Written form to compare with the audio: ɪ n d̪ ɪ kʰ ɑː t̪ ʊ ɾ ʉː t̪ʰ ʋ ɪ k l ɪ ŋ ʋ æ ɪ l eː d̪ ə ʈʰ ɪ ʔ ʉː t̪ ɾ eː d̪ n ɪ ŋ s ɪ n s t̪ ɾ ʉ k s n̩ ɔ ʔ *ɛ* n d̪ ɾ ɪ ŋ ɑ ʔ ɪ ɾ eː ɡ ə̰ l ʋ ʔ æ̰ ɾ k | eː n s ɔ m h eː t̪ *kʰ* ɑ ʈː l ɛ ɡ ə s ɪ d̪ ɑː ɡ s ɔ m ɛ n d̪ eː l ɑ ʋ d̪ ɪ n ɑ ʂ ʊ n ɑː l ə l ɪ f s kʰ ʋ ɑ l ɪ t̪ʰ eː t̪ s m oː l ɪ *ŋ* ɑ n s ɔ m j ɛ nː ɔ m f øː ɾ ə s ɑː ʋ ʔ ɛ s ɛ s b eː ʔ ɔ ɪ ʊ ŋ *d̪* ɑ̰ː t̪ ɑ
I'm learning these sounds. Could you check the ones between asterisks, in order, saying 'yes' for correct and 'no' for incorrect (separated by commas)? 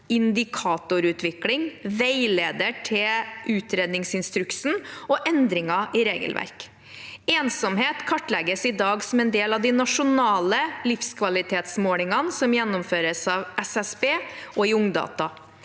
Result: yes, yes, yes, yes